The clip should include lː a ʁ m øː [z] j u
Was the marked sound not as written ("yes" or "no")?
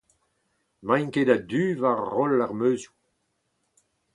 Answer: no